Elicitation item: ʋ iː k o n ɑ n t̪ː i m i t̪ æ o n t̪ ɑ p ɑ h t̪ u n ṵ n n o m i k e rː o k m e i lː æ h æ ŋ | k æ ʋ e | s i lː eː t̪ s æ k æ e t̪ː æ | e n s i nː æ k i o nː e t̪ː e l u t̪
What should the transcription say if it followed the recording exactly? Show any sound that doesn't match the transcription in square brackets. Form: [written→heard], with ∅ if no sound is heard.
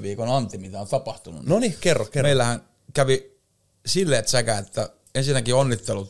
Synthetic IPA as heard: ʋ iː k o n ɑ n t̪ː i m i t̪ æ o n t̪ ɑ p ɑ h t̪ u n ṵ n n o [m→n] i k e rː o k m e i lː æ h æ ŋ | k æ ʋ [e→i] | s i lː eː t̪ s æ k æ e t̪ː æ | e n s i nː æ k i o nː [e→i] t̪ː e l u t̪